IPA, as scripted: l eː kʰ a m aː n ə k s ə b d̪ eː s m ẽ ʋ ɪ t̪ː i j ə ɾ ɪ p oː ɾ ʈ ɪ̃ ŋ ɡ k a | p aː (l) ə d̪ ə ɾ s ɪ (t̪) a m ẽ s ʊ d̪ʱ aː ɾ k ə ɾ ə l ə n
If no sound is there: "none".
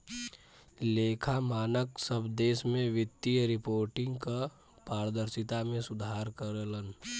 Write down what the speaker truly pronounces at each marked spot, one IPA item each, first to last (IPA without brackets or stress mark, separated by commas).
ɾ, t̪